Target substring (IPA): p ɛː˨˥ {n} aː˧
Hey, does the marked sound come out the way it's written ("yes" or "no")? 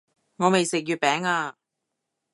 no